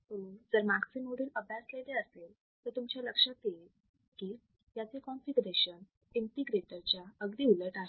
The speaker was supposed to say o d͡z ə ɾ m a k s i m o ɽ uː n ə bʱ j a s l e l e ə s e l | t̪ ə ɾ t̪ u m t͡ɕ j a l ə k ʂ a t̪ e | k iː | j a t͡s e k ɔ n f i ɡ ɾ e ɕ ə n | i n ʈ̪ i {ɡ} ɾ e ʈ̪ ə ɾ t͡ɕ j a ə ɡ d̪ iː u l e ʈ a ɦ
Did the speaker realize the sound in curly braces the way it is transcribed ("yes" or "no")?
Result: yes